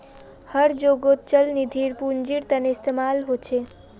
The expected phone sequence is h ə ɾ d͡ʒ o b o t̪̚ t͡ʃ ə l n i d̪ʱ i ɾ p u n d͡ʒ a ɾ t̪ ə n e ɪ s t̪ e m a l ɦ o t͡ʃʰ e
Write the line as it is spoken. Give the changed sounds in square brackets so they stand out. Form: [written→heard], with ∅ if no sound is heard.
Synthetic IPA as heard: h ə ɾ d͡ʒ o [b→ɡ] o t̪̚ t͡ʃ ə l n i d̪ʱ i ɾ p u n d͡ʒ [a→i] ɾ t̪ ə n e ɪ s t̪ e m a l ɦ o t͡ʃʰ e